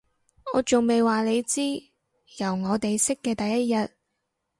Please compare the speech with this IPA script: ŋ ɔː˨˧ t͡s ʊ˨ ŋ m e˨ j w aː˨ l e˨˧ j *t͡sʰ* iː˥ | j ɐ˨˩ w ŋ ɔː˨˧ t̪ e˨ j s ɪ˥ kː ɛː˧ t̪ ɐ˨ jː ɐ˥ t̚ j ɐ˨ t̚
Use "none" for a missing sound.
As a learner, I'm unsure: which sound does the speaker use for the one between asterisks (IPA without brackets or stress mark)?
t͡s